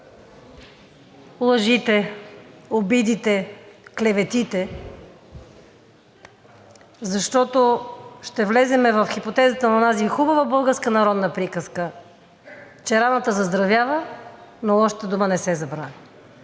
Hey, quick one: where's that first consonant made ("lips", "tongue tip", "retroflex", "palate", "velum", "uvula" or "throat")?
tongue tip